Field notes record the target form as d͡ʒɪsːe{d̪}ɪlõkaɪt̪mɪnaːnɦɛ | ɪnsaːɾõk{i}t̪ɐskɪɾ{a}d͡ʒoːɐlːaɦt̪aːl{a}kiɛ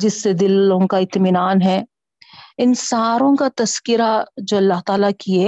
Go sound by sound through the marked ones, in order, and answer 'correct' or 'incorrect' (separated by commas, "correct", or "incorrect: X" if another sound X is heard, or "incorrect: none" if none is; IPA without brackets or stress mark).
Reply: correct, incorrect: a, correct, correct